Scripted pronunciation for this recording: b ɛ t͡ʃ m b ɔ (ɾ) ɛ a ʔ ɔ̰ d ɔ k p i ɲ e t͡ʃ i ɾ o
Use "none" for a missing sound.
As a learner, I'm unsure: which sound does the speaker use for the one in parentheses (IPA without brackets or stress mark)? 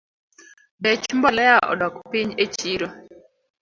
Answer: l